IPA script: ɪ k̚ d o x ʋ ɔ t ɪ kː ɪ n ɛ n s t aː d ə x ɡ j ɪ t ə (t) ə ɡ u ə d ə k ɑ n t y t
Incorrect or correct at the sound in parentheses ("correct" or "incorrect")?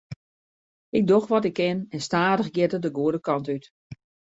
incorrect